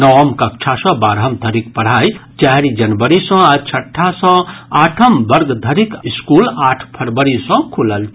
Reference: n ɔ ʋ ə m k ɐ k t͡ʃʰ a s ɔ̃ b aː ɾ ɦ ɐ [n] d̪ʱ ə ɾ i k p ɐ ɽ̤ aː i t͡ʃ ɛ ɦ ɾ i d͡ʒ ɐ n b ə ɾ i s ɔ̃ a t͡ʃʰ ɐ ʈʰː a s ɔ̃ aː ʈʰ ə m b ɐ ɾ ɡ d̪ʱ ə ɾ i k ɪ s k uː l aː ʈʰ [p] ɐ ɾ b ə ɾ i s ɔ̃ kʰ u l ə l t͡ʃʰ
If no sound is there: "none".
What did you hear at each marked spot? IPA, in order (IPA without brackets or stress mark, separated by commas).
m, pʰ